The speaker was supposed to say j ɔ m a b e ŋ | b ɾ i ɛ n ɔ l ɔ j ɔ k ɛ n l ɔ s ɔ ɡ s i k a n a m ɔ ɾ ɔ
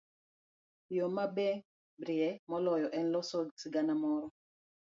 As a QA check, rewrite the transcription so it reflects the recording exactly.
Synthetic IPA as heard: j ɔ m a b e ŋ | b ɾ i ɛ m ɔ l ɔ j ɔ ʔ ɛ n l ɔ s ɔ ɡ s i ɡ a n a m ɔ ɾ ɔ